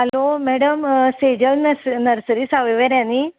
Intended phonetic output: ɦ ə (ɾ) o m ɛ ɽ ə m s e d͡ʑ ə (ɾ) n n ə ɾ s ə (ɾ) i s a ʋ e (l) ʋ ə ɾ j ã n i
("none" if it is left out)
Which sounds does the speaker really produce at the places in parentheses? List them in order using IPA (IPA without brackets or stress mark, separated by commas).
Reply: l, l, ɾ, none